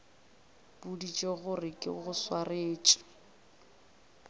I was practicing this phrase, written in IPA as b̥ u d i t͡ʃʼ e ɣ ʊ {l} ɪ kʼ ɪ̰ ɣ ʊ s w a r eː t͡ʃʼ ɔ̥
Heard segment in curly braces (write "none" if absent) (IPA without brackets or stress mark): r